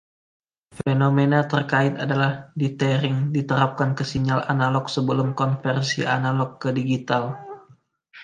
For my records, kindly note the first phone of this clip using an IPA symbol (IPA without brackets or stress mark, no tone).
f